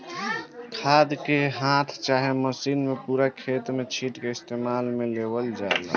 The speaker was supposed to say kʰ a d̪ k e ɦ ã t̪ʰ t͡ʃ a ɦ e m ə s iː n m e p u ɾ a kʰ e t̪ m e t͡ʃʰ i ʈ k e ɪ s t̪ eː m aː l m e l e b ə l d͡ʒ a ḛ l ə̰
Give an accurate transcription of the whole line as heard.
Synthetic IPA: kʰ a d̪ k e ɦ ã t̪ʰ t͡ʃ a ɦ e m ə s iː n m e p u ɾ a kʰ e t̪ m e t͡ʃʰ i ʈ k e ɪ s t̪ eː m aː l m e l e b ə l d͡ʒ a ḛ l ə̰